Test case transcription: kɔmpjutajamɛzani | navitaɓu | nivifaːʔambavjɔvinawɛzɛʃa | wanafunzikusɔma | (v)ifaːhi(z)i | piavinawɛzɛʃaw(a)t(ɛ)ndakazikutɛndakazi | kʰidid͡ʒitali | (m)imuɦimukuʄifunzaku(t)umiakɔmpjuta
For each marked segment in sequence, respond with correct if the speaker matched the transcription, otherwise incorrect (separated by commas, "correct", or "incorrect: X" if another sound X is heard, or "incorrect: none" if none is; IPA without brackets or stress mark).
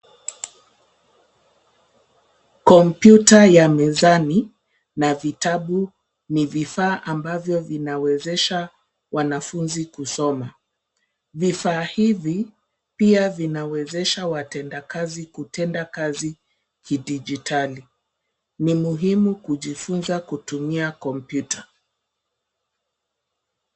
correct, incorrect: v, correct, correct, incorrect: n, correct